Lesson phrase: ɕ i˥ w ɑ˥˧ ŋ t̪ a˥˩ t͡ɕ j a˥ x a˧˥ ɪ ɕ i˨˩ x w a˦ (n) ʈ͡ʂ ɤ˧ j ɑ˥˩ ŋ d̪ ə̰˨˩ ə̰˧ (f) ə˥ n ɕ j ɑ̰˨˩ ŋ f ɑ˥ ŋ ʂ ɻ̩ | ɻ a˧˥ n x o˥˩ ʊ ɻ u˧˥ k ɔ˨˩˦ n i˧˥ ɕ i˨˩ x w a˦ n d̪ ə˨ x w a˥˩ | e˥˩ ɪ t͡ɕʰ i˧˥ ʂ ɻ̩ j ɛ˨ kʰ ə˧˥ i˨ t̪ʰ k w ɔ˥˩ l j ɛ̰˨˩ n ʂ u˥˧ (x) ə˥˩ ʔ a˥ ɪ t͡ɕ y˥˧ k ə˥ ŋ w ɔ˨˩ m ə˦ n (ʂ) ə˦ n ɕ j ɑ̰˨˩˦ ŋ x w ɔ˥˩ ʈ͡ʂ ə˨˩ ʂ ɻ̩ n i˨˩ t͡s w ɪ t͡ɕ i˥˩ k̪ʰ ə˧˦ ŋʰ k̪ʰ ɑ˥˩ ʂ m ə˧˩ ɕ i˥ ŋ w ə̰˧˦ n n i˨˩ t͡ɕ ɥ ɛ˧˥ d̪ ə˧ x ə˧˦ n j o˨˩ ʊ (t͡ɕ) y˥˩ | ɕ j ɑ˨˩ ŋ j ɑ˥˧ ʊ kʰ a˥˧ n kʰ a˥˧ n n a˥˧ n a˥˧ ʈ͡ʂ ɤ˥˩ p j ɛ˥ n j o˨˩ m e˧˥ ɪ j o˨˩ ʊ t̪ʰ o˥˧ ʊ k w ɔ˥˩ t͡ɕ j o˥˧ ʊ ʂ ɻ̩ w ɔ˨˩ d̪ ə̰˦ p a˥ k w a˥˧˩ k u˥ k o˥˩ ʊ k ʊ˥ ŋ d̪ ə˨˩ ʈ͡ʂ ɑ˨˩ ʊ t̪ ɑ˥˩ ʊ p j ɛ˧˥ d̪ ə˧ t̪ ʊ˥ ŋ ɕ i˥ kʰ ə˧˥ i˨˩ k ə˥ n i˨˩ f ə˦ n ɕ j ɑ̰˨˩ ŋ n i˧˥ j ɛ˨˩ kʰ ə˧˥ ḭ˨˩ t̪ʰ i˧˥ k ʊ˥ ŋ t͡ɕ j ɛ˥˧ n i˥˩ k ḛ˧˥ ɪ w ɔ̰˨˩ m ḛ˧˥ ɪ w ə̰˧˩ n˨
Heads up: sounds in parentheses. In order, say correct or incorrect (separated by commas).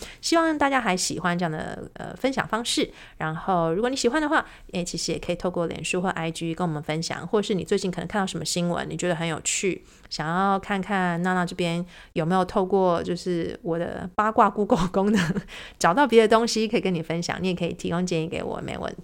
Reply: correct, correct, correct, incorrect, incorrect